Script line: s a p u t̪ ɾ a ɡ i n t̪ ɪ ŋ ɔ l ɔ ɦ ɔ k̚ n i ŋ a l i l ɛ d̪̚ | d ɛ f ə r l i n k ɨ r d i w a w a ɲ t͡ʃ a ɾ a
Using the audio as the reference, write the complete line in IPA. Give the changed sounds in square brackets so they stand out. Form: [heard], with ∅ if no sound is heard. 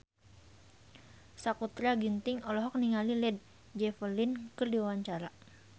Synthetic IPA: s a [k] u t̪ ɾ a ɡ i n t̪ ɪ ŋ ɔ l ɔ ɦ ɔ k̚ n i ŋ a l i l ɛ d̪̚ | [d͡ʒ] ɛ f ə r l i n k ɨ r d i w a w a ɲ t͡ʃ a ɾ a